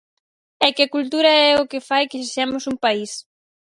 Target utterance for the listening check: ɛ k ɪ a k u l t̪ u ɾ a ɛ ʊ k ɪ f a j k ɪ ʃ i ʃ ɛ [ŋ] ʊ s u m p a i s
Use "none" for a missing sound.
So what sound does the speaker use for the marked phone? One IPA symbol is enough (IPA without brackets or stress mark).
m